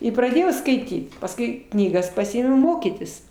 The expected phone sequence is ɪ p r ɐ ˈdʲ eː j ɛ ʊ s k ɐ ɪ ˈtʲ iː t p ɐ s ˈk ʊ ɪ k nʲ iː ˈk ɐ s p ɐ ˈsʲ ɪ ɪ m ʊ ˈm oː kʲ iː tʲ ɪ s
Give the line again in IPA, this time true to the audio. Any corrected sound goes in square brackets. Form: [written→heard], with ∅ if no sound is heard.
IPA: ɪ p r ɐ ˈdʲ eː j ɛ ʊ s k ɐ ɪ ˈtʲ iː t p ɐ s ˈk ʊ ɪ k nʲ iː [ˈk→ˈɡ] ɐ s p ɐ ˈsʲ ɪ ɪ m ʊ ˈm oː kʲ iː tʲ ɪ s